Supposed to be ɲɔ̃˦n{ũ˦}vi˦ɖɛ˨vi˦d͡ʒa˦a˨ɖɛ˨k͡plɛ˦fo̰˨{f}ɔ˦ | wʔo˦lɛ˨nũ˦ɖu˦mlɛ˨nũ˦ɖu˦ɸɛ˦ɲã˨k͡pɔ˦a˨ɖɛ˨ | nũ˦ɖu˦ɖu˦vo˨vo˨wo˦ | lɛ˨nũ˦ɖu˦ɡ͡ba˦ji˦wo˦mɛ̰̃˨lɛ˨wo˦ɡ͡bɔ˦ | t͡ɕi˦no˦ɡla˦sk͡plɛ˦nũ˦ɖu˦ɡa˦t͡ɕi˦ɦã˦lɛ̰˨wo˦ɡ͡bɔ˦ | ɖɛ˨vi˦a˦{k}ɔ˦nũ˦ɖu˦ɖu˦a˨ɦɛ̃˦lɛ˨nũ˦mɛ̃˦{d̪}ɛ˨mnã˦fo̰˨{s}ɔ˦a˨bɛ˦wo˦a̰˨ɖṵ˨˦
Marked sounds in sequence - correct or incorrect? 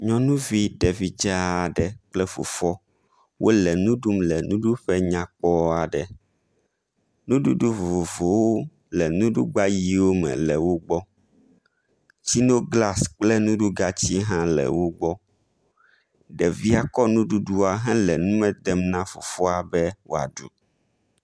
correct, correct, correct, correct, incorrect

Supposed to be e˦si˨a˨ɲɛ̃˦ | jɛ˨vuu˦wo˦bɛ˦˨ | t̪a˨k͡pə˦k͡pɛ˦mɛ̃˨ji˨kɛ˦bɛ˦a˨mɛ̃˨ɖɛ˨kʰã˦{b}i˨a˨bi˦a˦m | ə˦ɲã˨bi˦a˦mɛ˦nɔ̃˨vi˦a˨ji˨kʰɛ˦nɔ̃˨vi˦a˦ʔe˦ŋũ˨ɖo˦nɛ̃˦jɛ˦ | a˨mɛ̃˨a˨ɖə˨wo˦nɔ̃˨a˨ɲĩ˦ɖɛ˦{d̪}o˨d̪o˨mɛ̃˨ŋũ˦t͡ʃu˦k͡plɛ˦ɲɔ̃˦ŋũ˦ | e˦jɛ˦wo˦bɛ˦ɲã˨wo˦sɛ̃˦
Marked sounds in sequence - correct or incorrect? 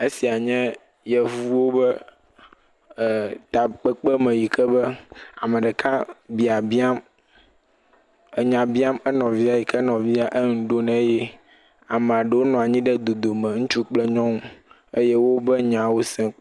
correct, correct

